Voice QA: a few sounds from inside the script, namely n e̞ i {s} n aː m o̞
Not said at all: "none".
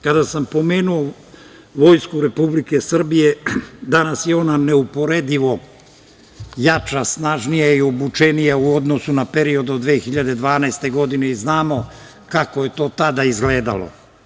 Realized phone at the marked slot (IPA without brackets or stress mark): z